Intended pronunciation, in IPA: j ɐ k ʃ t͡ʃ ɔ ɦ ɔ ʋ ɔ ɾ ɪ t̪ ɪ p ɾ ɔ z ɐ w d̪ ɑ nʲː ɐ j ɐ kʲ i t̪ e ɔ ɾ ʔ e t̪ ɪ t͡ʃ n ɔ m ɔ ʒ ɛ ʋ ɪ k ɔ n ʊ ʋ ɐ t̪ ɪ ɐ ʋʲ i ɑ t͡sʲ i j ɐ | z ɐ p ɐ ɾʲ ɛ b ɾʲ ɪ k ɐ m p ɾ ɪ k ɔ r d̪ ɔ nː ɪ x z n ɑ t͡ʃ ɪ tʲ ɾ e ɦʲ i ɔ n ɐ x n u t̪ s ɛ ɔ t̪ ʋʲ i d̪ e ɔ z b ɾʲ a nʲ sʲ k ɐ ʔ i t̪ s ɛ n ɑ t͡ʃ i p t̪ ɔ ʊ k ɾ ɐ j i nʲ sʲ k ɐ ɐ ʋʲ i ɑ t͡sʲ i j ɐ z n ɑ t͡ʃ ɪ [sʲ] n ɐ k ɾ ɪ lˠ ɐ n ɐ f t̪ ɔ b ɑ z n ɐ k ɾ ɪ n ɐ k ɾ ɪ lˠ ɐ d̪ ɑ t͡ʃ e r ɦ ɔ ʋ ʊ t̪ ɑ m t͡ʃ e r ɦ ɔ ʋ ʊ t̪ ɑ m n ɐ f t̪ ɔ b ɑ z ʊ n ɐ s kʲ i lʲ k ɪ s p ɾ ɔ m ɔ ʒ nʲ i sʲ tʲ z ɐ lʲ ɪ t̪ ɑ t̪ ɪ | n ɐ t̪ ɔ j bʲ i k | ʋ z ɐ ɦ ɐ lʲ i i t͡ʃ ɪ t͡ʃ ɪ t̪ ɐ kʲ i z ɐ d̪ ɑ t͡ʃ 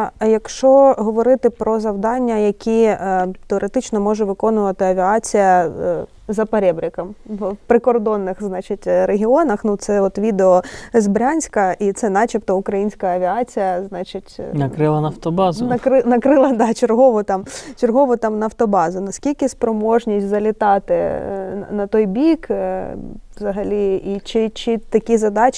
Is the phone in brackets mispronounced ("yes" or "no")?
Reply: yes